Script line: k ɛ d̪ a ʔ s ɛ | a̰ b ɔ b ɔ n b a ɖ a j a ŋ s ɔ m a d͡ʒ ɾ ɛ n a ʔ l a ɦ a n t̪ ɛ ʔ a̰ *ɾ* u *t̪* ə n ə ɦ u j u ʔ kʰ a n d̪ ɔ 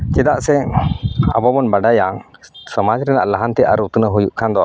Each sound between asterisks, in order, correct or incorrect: correct, correct

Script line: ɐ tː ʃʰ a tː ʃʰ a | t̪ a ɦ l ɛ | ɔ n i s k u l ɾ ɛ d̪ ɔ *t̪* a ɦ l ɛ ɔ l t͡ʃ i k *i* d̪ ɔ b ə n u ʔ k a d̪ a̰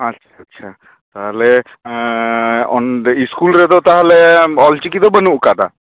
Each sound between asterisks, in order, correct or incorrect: correct, correct

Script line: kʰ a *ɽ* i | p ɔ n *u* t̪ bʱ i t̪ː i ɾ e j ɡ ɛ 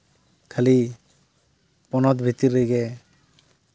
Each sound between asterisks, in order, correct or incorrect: incorrect: l, incorrect: ɔ

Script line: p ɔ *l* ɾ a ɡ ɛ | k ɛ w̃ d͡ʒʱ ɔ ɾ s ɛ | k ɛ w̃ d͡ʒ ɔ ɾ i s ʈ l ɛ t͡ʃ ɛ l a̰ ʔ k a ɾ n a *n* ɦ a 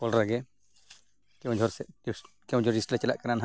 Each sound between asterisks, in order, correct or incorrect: correct, correct

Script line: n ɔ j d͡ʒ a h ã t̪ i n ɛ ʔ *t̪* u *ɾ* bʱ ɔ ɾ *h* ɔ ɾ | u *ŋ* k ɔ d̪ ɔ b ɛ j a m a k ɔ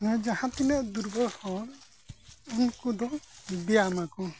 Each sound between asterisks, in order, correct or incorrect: incorrect: d̪, correct, correct, incorrect: n

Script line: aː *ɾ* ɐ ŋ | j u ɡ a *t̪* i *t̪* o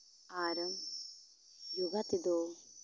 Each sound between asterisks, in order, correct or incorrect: correct, correct, incorrect: d̪

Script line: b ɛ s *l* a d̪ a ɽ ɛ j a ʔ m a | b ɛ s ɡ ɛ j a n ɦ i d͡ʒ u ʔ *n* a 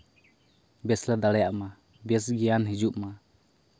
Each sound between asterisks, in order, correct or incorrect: correct, incorrect: m

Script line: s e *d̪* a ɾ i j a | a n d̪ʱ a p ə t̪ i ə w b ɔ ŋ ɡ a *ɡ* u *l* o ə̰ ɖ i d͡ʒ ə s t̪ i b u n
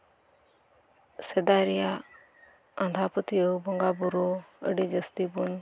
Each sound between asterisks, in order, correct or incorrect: correct, incorrect: b, incorrect: ɾ

